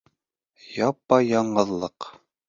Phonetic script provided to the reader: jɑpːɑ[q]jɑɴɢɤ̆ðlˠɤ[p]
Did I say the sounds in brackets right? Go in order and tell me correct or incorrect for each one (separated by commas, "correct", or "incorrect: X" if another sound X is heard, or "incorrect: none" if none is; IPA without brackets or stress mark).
incorrect: none, incorrect: q